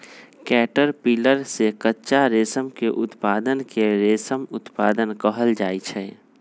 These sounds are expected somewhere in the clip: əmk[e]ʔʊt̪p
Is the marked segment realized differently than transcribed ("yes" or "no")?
no